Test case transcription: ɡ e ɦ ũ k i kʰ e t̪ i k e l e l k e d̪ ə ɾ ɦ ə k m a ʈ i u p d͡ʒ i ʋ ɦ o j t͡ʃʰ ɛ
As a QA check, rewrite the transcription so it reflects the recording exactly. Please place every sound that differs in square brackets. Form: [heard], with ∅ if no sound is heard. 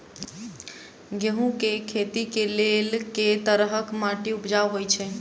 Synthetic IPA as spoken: ɡ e ɦ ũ k [e] kʰ e t̪ i k e l e l k e [t̪] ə ɾ ɦ ə k m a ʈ i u p d͡ʒ [a] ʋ ɦ o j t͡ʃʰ ɛ